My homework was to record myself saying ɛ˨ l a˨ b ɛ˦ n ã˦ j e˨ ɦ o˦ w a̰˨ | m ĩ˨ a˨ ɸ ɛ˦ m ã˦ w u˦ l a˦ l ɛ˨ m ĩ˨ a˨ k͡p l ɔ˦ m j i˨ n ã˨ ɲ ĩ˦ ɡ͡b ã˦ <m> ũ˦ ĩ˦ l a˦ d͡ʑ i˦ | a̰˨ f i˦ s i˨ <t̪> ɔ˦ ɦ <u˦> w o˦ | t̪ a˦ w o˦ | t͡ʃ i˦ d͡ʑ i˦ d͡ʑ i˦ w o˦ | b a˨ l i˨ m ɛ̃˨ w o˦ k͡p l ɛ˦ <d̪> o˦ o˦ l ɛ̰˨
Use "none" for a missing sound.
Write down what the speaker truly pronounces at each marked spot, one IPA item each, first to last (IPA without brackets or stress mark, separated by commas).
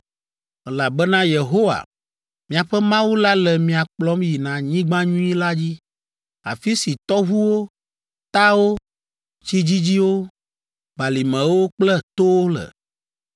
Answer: ɲ, t̪, u˦, t̪